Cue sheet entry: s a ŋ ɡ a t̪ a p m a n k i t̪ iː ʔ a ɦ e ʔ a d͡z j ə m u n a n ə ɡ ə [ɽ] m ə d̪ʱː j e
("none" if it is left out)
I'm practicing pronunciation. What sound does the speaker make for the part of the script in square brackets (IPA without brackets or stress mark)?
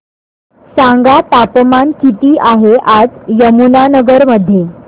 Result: ɾ